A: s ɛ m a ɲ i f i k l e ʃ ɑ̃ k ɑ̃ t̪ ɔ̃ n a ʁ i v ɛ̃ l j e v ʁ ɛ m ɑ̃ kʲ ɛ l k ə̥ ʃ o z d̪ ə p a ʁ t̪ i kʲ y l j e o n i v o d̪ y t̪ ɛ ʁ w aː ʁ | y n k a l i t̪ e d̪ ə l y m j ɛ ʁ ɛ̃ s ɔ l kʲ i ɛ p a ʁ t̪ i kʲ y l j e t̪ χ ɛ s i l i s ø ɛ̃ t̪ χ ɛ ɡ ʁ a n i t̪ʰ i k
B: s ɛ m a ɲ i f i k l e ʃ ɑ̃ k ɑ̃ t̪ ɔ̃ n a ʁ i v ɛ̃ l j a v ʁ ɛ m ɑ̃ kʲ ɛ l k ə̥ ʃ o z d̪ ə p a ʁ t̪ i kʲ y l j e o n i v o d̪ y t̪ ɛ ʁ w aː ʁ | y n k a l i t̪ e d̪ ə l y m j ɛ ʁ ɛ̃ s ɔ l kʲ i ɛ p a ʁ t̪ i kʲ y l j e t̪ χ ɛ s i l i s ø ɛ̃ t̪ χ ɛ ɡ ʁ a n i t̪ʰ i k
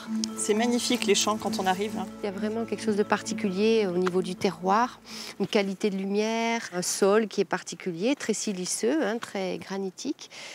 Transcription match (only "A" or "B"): B